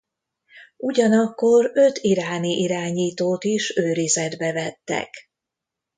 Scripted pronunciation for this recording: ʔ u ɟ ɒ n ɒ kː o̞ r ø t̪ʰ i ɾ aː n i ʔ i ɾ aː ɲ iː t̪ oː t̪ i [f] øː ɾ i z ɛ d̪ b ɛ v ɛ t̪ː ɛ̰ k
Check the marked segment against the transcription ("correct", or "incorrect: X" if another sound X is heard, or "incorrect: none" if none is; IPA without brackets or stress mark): incorrect: ʃ